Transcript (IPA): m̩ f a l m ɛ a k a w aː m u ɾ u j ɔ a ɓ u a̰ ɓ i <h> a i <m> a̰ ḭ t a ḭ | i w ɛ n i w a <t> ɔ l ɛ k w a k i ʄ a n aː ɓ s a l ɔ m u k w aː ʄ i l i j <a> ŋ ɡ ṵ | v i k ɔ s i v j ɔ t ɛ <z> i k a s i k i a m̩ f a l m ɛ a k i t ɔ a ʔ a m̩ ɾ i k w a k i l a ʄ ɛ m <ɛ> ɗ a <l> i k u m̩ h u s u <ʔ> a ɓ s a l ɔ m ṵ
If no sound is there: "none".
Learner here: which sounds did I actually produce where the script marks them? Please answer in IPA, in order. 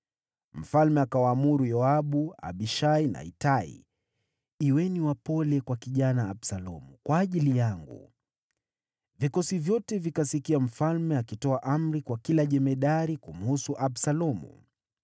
ʃ, n, p, a, v, ɛ, ɾ, ʔ

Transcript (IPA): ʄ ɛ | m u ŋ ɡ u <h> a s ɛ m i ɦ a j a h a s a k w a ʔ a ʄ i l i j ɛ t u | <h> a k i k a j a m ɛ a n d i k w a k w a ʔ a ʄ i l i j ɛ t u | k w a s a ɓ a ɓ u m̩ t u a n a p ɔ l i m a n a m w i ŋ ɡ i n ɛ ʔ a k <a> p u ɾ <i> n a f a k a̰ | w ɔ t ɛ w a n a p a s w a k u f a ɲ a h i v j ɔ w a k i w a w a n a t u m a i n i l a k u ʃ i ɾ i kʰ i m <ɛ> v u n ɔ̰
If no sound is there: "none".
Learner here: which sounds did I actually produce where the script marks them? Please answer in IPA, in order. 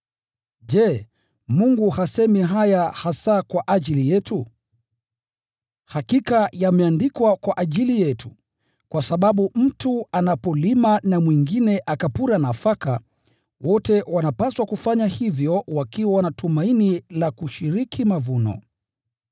h, h, a, a, a

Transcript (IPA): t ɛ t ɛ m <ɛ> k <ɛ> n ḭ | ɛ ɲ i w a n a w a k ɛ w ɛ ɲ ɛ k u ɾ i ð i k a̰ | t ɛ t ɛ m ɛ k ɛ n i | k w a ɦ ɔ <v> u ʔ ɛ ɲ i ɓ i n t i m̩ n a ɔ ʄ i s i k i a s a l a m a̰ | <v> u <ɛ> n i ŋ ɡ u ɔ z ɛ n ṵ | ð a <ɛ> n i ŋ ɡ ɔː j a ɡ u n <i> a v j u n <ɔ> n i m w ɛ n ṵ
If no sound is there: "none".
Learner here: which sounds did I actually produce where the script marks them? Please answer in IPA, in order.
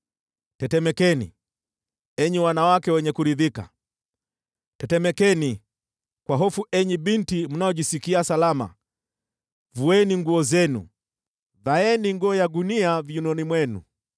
ɛ, ɛ, f, v, ɛ, ɛ, i, ɔ

